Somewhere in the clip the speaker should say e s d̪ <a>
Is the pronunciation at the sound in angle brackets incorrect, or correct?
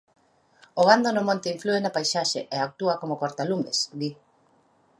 incorrect